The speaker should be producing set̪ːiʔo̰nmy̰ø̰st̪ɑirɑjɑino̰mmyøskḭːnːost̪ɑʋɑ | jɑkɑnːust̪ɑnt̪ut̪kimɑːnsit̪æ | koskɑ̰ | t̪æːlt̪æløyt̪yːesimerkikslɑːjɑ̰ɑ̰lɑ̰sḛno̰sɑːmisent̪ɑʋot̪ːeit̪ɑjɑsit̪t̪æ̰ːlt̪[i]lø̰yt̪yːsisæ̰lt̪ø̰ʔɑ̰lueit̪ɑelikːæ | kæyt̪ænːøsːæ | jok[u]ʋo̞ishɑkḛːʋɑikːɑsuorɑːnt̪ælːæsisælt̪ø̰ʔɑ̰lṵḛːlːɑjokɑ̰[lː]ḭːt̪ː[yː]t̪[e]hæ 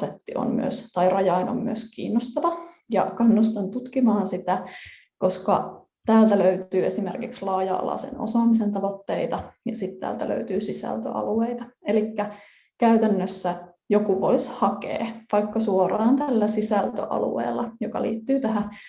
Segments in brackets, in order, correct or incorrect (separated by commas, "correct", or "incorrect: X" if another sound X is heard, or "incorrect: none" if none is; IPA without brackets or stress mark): incorrect: æ, correct, incorrect: l, correct, incorrect: æ